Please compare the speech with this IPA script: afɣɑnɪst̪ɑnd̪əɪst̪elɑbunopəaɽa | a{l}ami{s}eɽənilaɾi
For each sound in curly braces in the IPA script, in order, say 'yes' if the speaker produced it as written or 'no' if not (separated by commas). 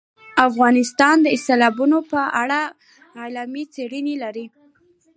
yes, no